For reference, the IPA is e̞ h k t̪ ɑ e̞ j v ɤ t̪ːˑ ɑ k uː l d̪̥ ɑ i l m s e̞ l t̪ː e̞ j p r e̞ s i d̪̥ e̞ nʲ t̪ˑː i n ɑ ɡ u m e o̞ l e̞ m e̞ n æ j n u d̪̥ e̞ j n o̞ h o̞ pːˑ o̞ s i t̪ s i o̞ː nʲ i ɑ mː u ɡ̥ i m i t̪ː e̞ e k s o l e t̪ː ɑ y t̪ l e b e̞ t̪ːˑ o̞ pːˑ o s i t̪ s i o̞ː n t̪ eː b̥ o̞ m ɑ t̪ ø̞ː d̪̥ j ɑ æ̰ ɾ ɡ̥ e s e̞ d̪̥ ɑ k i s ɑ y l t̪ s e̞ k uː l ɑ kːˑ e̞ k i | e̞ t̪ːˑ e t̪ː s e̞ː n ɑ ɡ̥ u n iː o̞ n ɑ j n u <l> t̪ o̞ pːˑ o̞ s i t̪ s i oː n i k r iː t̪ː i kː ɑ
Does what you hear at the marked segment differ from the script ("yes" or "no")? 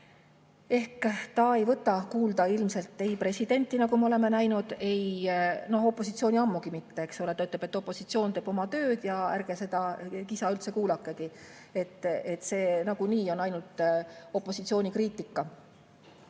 no